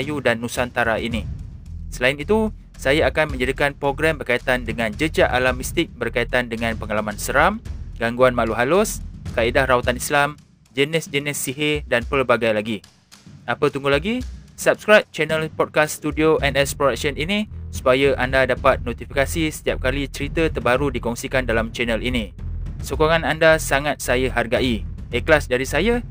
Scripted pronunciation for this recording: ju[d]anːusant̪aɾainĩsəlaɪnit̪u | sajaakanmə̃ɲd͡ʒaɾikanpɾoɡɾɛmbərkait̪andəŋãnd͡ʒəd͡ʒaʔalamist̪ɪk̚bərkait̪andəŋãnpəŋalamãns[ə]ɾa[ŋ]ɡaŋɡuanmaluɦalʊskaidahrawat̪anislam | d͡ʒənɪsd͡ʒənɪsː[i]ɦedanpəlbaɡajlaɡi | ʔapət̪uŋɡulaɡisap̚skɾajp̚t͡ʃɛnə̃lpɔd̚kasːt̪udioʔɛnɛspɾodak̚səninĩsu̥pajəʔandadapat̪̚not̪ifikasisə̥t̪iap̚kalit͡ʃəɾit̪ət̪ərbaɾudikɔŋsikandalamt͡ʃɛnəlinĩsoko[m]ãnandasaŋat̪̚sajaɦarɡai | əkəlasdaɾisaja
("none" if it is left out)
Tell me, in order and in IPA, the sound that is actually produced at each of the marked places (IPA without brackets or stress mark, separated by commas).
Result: d, ə, m, i, ŋ